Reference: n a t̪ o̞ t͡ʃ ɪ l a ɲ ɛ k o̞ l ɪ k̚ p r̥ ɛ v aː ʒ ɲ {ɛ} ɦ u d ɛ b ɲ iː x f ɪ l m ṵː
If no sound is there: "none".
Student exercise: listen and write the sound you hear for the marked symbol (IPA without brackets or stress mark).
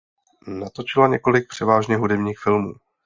ɛ